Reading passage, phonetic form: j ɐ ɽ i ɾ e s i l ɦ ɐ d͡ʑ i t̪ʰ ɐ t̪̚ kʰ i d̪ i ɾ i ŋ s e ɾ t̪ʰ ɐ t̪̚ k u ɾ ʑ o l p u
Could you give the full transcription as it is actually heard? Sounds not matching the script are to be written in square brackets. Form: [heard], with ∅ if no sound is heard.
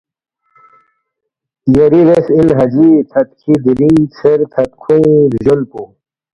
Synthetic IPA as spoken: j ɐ [ɾ] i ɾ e s i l ɦ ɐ d͡ʑ i t̪ʰ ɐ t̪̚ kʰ i d̪ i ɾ i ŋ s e ɾ t̪ʰ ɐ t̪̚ [kʰ] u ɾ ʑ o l p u